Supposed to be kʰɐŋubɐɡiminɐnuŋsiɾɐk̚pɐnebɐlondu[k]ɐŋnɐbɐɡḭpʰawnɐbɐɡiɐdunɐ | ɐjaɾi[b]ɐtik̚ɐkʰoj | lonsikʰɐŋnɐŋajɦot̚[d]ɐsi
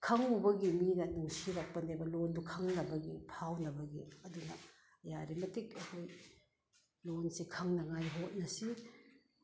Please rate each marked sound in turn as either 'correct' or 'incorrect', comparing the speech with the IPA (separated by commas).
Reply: incorrect, incorrect, incorrect